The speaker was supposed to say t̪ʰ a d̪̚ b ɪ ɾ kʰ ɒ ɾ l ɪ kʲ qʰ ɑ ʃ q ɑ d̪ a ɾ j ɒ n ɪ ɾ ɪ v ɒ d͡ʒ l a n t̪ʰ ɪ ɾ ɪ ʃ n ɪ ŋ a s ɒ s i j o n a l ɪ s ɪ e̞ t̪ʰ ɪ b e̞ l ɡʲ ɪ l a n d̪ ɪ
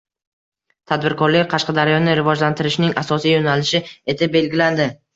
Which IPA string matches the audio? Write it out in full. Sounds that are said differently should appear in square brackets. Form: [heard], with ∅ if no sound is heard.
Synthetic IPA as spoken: t̪ʰ a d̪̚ b ɪ ɾ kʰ ɒ ɾ l ɪ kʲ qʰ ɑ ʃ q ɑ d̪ a ɾ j ɒ n ɪ ɾ ɪ v ɒ d͡ʒ l a n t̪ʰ ɪ ɾ ɪ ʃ n ɪ ŋ a s ɒ s i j o n a l ɪ [ʃ] ɪ e̞ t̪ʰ ɪ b e̞ l ɡʲ ɪ l a n d̪ ɪ